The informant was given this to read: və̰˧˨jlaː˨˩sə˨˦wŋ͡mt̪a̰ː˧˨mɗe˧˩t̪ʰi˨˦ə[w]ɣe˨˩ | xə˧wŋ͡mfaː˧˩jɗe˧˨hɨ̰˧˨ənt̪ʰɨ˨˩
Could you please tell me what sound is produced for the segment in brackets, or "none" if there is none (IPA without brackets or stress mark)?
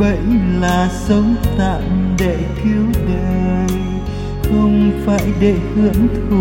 w